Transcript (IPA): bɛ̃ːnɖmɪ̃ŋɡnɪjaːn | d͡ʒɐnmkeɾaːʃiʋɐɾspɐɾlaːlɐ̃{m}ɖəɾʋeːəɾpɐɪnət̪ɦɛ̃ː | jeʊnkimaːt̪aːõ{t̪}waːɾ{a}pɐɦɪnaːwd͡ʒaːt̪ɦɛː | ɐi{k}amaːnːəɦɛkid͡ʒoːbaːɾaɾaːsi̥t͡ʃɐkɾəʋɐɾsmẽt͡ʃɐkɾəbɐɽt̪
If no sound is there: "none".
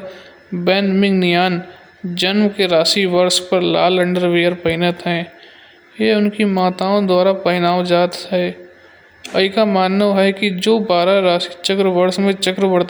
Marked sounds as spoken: ɳ, d̪, a, k

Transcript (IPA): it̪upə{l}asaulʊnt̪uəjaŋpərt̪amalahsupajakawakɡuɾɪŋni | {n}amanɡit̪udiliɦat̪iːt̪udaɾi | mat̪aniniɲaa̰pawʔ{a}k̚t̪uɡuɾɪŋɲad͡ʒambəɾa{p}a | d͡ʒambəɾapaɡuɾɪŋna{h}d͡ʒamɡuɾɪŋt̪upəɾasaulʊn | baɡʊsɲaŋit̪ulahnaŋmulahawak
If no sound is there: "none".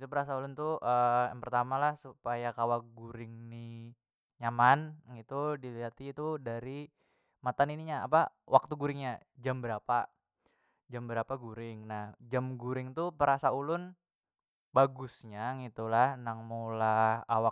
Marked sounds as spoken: ɾ, ɲ, a, p, h

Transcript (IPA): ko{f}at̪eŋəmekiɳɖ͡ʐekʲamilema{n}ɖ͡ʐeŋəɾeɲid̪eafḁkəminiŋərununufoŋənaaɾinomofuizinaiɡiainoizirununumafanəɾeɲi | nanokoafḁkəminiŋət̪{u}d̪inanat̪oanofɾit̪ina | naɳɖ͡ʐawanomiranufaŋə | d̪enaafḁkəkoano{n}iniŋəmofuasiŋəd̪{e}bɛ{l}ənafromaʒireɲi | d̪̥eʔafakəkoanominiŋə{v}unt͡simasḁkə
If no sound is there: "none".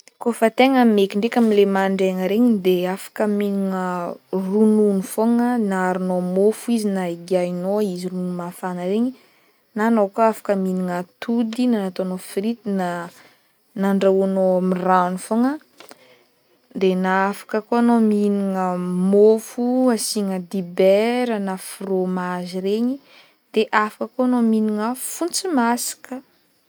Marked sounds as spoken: f, ɳ, u, m, i, ɾ, f

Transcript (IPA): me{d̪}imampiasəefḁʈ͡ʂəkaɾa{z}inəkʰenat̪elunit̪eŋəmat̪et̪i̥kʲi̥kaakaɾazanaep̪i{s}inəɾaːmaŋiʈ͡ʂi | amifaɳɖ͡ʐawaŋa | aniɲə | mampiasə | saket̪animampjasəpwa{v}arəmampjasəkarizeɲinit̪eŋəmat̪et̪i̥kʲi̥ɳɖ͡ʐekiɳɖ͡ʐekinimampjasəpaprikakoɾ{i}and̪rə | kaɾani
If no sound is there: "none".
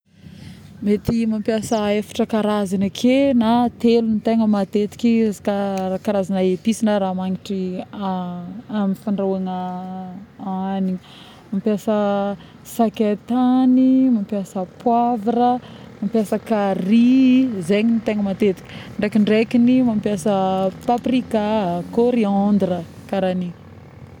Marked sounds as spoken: t̪, z, s, v, i

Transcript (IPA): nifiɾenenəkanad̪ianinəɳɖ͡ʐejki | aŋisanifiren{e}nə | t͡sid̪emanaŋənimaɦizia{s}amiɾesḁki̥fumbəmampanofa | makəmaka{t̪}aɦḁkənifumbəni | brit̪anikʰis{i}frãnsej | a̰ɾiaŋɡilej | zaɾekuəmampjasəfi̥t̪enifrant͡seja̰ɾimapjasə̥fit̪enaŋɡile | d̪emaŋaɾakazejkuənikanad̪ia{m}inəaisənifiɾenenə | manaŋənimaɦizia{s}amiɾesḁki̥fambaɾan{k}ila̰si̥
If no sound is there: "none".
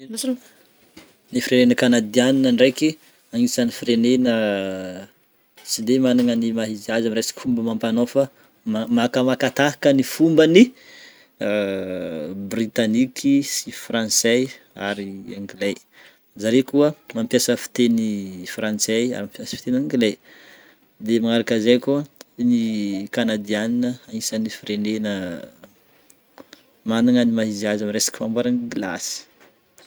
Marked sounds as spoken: e, z, t̪, i, n, z, ɡ

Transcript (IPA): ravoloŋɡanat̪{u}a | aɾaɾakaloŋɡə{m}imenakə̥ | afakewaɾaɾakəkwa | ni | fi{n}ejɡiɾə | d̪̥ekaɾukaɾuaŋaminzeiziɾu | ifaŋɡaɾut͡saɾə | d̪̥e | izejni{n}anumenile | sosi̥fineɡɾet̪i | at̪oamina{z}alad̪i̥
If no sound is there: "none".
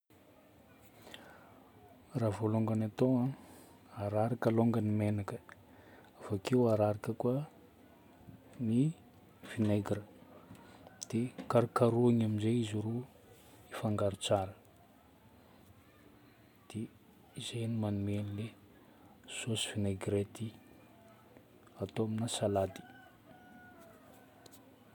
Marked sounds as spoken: o, n, n, m, s

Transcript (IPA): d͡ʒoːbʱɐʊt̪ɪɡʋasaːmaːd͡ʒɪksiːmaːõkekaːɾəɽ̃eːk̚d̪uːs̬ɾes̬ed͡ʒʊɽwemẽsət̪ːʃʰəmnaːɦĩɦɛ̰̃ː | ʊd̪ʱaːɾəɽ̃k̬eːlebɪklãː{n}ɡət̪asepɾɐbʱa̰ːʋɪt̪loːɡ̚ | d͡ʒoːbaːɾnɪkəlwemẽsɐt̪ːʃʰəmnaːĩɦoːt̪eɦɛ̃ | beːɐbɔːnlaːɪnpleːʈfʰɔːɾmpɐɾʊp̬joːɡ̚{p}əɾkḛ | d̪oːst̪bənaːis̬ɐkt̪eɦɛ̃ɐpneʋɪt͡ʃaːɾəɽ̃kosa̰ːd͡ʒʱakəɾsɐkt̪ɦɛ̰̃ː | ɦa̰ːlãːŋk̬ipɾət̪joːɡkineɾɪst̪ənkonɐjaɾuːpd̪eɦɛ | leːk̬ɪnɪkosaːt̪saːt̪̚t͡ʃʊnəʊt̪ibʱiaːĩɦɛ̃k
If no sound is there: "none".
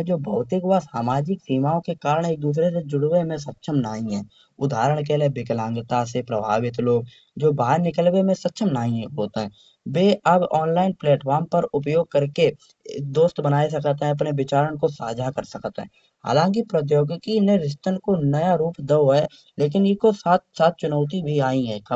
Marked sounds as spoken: ŋ, k

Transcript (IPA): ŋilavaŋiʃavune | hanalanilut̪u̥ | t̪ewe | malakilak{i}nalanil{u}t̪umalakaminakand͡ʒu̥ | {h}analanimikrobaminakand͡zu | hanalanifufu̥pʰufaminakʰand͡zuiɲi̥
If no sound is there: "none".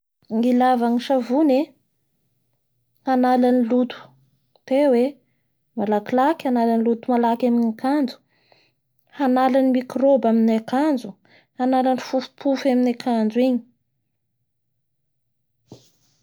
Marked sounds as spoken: a, u, h

